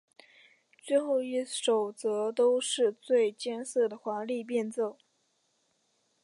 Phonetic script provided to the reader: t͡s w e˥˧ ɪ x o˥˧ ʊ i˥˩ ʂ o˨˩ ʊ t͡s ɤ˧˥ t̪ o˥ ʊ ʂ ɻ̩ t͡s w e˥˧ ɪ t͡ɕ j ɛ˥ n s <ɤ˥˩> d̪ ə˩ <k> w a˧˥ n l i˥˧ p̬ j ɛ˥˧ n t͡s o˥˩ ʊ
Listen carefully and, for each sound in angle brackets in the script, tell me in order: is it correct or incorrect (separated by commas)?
correct, incorrect